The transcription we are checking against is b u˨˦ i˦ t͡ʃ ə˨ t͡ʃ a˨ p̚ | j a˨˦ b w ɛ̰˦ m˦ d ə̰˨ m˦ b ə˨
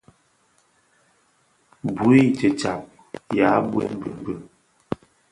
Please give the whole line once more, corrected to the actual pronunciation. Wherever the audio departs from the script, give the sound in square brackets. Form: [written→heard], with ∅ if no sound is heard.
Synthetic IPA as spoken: b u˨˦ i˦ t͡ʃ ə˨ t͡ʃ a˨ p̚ | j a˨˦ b w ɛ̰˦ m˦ [d→b] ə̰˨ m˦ b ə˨